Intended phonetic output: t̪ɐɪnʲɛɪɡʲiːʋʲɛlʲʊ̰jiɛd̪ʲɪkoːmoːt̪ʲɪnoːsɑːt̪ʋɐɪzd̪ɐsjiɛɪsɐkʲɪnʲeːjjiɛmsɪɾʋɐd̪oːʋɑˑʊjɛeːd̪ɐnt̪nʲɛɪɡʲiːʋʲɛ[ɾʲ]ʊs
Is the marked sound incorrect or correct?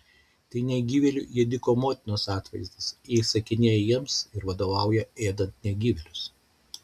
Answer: incorrect